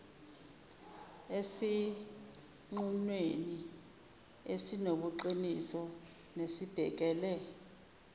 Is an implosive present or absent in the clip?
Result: present